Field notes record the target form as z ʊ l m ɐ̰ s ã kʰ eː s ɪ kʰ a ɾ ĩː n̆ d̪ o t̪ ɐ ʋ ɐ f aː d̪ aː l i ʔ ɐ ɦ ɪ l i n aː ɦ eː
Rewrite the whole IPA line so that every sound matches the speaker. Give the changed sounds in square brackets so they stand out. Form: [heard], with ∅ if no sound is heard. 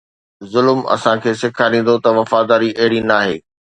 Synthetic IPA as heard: z ʊ l m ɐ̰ s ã kʰ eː s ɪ kʰ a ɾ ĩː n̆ d̪ o t̪ ɐ ʋ ɐ f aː d̪ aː [ɾ] i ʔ ɐ ɦ ɪ [ɽ] i n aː ɦ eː